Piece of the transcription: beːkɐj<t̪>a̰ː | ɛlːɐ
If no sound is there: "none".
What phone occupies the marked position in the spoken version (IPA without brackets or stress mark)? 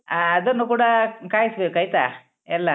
t̪